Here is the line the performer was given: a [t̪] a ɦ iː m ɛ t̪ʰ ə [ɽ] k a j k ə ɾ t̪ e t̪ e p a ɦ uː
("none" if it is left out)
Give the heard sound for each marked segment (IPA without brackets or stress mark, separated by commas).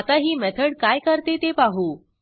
t̪, ɽ